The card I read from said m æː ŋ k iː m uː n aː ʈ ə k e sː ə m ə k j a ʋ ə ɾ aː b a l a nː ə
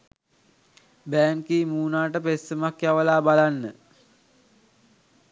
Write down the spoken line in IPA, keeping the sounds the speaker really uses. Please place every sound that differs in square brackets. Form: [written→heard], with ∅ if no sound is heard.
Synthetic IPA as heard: [m→b] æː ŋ k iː m uː n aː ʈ ə [k→p] e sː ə m [ə→a] k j a ʋ ə [ɾ→l] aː b a l a nː ə